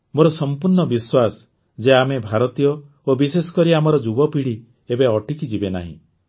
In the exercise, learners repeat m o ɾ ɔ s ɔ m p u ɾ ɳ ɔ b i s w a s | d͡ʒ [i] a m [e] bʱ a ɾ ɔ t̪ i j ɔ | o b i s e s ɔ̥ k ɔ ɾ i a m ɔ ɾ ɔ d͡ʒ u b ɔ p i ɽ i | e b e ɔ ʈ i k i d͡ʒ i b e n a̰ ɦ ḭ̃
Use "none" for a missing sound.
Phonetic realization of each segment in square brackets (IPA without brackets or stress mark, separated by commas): e, e